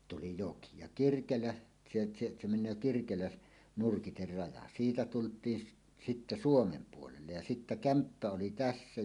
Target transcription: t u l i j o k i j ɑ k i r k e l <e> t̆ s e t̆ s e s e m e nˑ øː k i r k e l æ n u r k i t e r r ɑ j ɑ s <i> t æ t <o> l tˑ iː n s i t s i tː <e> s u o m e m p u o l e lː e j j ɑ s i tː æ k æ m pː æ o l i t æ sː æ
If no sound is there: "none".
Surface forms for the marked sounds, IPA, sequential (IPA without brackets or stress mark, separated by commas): æ, iː, u, æ